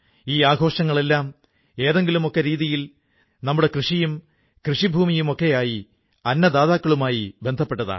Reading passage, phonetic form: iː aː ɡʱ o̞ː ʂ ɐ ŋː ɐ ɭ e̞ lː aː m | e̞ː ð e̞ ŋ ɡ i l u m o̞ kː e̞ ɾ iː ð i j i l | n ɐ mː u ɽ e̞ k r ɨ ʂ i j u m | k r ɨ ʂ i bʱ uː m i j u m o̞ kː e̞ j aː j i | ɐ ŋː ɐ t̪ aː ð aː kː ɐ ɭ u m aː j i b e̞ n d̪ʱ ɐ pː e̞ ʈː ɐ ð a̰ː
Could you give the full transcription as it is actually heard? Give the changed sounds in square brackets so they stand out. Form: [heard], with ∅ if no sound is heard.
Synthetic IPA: iː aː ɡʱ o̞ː ʂ ɐ ŋː ɐ ɭ e̞ lː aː m | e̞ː ð e̞ ŋ ɡ i l u m o̞ kː e̞ ɾ iː ð i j i l | n ɐ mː u ɽ e̞ k r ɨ ʂ i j u m | k r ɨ ʂ i bʱ uː m i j u m o̞ kː e̞ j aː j i | ɐ [nː] ɐ [d̪] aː ð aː kː ɐ ɭ u m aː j i b e̞ n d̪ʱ ɐ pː e̞ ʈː ɐ ð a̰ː